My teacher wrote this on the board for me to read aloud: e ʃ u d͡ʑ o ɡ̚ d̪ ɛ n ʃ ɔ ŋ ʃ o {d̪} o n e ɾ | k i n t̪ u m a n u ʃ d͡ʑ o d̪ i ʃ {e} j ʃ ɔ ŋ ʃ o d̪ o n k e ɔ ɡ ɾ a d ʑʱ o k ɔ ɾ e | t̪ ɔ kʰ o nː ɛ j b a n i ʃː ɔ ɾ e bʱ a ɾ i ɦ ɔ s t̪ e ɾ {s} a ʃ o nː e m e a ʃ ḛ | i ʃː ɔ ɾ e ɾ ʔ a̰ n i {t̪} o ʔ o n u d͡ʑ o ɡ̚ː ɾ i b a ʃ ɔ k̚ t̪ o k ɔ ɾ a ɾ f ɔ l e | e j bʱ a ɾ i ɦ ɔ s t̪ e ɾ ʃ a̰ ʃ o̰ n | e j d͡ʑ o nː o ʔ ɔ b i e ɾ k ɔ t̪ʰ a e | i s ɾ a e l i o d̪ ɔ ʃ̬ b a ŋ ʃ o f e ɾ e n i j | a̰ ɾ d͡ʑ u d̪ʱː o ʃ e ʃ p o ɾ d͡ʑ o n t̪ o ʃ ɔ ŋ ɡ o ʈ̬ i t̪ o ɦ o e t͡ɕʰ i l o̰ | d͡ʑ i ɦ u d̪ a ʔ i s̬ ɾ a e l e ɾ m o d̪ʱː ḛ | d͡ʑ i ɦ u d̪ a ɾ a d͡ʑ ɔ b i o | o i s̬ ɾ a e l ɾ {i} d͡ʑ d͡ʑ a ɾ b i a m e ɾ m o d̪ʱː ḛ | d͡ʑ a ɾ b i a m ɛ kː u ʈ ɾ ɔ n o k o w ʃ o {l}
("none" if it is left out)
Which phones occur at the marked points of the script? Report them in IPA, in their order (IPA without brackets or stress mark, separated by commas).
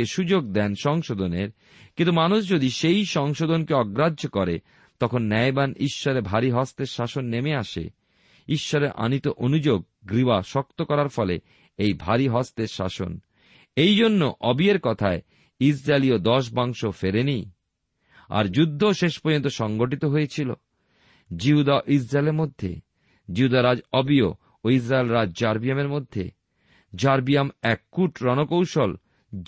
d̪, e, ʃ, t̪, a, l